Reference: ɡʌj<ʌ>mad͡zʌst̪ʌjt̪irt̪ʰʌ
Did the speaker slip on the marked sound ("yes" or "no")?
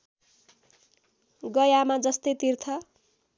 yes